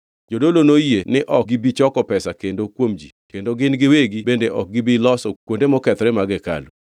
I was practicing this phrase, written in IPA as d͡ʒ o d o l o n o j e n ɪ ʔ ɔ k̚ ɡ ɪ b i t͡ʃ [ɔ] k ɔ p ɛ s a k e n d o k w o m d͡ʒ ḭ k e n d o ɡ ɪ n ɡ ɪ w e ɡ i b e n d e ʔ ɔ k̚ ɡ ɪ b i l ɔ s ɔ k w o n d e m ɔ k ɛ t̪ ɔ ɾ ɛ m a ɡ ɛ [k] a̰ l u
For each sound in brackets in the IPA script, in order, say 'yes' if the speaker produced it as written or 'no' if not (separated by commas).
yes, yes